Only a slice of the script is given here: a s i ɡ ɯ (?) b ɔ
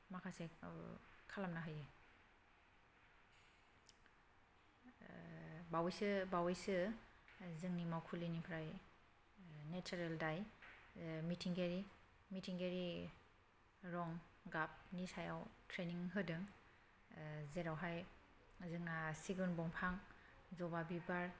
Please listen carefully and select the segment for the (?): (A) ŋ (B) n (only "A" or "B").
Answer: B